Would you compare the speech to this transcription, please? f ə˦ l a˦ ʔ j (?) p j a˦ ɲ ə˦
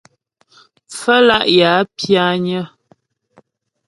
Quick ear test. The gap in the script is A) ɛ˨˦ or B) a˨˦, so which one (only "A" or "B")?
B